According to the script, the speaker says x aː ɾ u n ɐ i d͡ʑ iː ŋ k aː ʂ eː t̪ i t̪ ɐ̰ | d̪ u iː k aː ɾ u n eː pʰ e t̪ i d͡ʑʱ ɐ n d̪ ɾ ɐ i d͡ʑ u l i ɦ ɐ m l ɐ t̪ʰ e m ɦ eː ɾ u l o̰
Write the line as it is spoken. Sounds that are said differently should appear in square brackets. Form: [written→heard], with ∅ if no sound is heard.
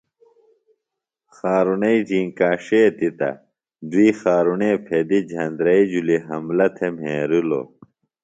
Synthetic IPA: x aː ɾ u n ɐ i d͡ʑ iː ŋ k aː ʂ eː t̪ i t̪ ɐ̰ | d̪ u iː [k→x] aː ɾ u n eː pʰ e [t̪→d̪] i d͡ʑʱ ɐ n d̪ ɾ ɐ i d͡ʑ u l i ɦ ɐ m l ɐ t̪ʰ e m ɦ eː ɾ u l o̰